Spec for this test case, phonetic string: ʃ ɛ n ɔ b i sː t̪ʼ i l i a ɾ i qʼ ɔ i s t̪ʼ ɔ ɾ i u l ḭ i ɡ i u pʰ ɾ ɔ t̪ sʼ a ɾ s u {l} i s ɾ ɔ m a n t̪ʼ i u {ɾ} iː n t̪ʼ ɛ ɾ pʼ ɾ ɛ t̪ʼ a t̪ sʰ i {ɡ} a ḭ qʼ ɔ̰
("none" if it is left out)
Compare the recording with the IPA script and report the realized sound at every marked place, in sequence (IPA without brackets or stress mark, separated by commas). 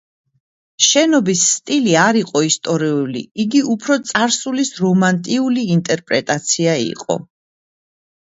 l, l, none